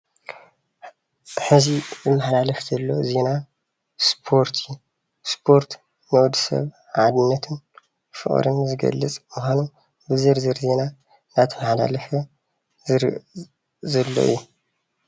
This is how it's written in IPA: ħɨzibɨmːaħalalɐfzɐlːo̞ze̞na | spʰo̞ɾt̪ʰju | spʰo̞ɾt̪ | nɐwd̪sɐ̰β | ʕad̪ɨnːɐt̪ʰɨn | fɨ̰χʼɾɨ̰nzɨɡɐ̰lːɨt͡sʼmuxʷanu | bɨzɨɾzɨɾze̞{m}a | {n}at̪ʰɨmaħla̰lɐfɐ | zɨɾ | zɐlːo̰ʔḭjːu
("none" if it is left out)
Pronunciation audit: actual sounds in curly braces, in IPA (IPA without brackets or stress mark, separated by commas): n, n